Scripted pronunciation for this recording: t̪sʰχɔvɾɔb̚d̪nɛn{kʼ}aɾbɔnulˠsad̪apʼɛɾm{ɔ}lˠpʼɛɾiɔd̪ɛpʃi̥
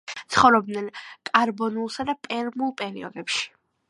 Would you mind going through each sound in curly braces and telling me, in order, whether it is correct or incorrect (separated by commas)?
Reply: correct, incorrect